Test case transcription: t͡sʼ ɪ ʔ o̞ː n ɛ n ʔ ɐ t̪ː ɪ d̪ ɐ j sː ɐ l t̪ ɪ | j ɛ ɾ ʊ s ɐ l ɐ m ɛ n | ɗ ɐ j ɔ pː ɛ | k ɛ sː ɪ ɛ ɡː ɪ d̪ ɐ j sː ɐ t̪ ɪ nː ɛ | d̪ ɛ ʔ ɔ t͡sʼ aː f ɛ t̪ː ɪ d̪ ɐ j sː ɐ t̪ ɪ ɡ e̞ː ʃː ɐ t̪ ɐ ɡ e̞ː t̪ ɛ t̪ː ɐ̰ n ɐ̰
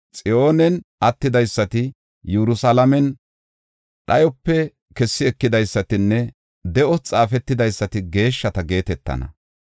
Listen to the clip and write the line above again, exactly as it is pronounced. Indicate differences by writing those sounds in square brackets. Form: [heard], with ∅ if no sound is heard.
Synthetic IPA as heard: t͡sʼ ɪ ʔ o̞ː n ɛ n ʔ ɐ t̪ː ɪ d̪ ɐ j sː ɐ [∅] t̪ ɪ | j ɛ ɾ ʊ s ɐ l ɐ m ɛ n | ɗ ɐ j ɔ pː ɛ | k ɛ sː ɪ ɛ [kː] ɪ d̪ ɐ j sː ɐ t̪ ɪ nː ɛ | d̪ ɛ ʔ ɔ t͡sʼ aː f ɛ t̪ː ɪ d̪ ɐ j sː ɐ t̪ ɪ ɡ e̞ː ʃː ɐ t̪ ɐ ɡ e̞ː t̪ ɛ t̪ː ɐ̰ n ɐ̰